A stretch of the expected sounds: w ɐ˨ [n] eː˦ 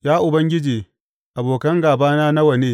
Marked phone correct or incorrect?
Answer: correct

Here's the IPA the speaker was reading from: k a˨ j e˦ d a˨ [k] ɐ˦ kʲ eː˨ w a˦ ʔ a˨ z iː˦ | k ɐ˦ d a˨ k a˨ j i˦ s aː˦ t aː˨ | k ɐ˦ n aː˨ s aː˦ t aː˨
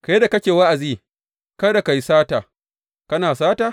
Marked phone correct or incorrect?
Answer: correct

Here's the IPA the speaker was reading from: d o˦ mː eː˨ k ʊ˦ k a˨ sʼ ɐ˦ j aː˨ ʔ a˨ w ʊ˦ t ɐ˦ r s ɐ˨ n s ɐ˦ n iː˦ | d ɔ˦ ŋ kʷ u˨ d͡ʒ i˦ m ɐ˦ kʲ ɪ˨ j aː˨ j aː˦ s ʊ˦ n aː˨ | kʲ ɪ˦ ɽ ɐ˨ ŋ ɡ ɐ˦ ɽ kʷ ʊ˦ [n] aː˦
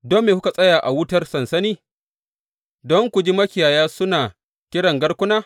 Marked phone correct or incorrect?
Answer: correct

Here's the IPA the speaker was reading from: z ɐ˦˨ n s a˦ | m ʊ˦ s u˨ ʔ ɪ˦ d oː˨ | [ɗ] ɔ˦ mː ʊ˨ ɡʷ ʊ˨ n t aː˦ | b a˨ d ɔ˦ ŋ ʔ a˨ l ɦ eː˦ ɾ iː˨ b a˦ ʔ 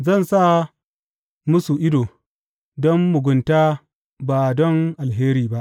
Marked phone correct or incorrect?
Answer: incorrect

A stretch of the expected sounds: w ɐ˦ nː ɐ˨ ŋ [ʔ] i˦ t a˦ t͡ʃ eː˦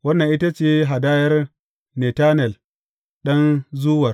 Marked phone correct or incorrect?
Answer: correct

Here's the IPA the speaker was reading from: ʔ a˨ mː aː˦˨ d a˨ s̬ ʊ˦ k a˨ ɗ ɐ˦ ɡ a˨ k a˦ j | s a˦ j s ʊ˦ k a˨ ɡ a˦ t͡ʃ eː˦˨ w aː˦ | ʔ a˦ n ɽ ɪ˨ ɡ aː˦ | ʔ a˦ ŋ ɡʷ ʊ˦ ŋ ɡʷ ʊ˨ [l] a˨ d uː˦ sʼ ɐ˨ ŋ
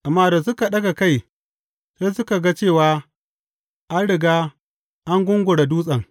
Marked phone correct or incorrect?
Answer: incorrect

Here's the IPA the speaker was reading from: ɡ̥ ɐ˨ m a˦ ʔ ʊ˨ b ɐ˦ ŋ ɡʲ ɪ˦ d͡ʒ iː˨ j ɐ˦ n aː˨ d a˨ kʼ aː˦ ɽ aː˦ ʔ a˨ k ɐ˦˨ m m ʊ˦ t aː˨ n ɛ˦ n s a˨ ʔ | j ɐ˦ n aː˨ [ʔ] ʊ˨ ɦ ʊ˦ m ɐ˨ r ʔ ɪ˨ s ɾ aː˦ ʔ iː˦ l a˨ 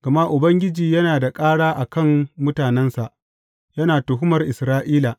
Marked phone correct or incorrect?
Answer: incorrect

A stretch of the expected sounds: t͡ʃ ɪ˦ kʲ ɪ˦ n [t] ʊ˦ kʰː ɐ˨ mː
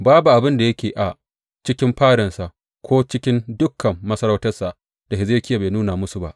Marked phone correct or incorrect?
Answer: incorrect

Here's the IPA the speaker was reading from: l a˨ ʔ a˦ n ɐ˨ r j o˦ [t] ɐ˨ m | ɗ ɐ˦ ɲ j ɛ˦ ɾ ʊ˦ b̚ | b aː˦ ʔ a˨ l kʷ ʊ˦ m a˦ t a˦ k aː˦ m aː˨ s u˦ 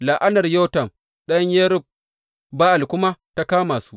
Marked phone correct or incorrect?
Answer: correct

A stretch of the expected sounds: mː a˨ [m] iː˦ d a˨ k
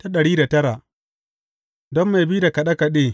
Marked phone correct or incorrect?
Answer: incorrect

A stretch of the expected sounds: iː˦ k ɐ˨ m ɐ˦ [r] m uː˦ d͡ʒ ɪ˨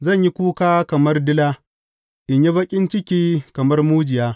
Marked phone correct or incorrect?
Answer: correct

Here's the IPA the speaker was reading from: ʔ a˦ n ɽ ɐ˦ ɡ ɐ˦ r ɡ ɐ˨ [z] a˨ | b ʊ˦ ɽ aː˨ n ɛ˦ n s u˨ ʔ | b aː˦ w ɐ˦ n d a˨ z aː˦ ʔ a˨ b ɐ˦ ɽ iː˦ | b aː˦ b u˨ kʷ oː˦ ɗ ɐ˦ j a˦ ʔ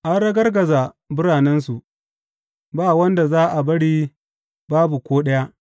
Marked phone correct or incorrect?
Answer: correct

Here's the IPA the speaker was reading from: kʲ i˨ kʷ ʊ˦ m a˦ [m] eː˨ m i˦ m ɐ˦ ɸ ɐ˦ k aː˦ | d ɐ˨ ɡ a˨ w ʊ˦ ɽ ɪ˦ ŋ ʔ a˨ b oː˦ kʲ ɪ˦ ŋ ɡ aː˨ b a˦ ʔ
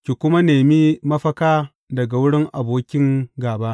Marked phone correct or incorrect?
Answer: incorrect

